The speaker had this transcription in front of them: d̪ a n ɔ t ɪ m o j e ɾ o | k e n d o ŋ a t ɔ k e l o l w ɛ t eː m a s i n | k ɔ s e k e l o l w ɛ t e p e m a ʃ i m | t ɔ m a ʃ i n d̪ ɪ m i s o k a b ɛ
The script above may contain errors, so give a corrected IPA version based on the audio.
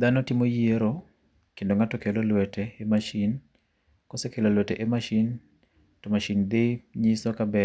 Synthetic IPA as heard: d̪ a n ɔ t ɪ m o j e ɾ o | k e n d o ŋ a t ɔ k e l o l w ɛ t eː m a ʃ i n | k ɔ s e k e l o l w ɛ t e ʔ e m a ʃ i n | t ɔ m a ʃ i n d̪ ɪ ɲ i s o k a b ɛ